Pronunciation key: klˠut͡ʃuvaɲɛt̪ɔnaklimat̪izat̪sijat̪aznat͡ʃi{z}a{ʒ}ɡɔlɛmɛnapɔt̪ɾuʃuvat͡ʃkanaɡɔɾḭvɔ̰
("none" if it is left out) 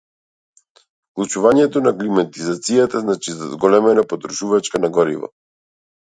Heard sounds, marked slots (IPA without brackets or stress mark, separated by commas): z, z